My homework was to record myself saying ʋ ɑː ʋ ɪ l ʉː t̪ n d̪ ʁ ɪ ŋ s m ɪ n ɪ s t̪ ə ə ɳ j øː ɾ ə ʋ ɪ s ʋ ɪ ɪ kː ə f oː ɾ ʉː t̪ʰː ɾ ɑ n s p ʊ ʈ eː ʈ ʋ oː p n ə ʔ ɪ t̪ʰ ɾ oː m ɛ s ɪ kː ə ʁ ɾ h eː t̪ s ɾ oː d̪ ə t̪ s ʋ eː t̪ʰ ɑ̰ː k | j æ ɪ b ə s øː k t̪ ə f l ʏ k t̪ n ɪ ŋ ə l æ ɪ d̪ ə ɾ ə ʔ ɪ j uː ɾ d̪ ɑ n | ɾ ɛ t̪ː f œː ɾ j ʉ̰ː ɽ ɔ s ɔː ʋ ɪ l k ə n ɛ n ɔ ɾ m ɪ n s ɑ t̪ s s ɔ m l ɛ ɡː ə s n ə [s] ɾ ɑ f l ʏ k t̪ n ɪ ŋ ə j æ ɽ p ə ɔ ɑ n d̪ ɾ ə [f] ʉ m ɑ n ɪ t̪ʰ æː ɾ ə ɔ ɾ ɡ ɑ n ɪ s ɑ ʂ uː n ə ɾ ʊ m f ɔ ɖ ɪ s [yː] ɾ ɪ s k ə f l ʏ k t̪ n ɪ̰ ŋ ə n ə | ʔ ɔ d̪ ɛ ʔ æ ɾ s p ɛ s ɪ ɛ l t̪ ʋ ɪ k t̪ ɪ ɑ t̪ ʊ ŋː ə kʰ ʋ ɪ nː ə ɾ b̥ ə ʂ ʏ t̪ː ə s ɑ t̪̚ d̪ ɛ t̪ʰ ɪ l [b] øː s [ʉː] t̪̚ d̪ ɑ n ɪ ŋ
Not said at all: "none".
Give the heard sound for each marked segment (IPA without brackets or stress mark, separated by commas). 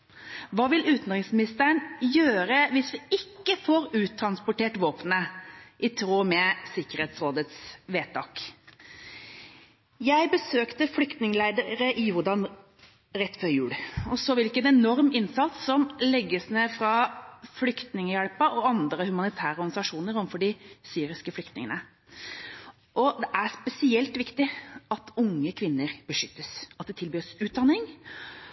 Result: f, h, yː, b, ʉː